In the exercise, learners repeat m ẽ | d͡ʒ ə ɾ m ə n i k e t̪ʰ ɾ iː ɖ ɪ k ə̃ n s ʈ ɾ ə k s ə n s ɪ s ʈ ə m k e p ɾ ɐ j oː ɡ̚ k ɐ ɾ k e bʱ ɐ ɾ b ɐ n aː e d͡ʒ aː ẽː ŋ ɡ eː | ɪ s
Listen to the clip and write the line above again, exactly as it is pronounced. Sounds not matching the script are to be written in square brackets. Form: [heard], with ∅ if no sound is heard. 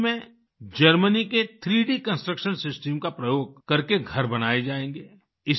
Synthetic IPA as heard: m ẽ | d͡ʒ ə ɾ m ə n i k e t̪ʰ ɾ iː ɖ [i] k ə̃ n s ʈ ɾ ə k [ʃ] ə n s ɪ s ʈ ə m k [a] p ɾ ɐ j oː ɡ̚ k ɐ ɾ k e [ɡʱ] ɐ ɾ b ɐ n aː e d͡ʒ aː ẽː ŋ ɡ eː | ɪ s